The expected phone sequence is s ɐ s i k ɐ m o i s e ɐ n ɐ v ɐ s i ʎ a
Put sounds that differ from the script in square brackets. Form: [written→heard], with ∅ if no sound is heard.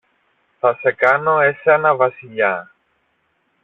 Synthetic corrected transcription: [s→θ] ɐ s [i→e] k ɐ [m→n] o [i→e] s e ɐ n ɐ v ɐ s i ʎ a